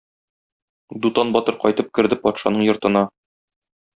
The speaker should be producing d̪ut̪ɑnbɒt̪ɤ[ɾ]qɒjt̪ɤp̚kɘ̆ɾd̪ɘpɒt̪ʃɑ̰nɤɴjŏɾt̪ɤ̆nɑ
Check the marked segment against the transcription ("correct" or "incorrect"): correct